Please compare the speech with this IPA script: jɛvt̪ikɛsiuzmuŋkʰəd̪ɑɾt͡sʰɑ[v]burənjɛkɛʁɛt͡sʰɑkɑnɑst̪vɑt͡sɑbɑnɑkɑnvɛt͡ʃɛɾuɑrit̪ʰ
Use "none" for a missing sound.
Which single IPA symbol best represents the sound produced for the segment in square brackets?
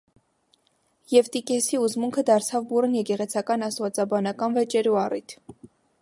v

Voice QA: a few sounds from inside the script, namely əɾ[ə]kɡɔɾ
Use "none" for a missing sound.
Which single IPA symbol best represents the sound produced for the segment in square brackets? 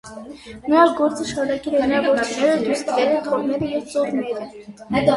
ɑ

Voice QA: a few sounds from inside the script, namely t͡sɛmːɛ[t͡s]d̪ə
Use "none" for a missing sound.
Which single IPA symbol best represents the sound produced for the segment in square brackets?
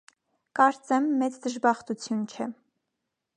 t͡s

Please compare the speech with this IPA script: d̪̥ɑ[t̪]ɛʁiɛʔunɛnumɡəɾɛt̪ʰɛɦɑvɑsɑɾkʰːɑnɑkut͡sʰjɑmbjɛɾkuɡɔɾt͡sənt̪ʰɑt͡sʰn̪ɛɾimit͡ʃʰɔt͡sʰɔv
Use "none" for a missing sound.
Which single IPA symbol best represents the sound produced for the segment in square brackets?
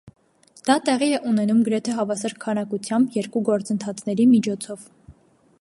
t̪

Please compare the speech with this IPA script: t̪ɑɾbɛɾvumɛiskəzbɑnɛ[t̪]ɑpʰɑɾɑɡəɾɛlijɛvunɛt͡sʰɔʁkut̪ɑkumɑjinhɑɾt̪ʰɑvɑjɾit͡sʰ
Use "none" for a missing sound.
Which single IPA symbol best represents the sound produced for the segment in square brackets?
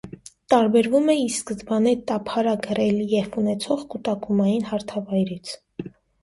t̪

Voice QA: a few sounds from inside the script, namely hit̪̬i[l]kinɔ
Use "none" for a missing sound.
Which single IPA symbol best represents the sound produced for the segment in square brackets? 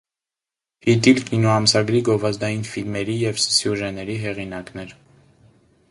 l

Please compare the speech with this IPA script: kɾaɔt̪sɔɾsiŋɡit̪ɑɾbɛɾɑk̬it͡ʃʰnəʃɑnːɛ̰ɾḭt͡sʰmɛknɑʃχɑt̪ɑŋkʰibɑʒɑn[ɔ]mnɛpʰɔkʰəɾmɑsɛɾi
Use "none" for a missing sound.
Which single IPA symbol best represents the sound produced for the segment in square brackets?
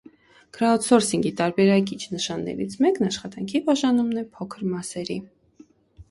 u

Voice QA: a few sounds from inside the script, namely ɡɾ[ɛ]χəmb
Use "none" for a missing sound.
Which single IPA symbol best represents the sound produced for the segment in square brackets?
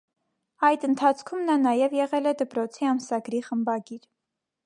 i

